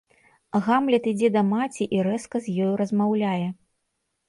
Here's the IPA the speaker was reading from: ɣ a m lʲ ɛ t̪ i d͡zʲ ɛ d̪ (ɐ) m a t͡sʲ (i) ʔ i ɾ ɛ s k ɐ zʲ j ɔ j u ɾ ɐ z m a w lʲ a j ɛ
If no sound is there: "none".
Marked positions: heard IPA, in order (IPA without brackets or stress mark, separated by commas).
ɐ, i